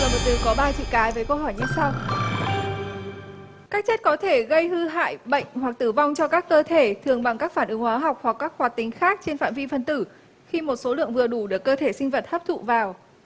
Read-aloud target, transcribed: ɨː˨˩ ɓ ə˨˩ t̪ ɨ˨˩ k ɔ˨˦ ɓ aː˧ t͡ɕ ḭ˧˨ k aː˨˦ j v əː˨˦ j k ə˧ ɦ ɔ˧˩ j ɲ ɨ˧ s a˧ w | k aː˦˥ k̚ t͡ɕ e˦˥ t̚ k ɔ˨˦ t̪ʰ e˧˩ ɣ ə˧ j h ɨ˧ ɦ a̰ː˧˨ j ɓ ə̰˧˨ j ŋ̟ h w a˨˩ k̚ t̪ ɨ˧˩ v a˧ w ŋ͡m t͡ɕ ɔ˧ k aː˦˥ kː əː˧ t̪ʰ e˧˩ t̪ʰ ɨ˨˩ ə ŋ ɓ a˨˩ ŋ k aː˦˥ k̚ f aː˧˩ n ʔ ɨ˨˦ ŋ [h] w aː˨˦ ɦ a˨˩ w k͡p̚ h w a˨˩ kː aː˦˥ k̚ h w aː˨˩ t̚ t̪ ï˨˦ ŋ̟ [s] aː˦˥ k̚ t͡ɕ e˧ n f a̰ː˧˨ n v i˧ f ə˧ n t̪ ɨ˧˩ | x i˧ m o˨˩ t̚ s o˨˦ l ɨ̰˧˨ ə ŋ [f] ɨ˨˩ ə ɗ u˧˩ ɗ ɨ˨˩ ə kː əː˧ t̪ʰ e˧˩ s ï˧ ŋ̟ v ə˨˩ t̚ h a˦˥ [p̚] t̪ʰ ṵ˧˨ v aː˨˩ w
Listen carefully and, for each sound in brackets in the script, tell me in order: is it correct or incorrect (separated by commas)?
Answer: correct, incorrect, incorrect, correct